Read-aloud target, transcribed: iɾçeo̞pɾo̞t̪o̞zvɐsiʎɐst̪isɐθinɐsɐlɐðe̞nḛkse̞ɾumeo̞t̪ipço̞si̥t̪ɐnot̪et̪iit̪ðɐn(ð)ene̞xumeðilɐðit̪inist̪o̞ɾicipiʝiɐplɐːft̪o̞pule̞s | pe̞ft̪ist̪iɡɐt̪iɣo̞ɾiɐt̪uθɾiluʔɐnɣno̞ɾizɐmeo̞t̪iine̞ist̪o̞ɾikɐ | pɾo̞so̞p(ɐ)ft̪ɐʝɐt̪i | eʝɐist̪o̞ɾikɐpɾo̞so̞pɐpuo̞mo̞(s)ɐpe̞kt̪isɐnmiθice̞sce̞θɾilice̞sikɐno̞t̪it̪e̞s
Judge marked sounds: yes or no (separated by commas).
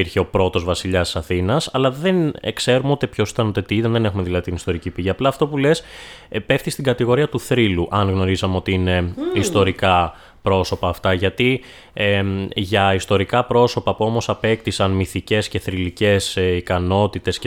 yes, no, yes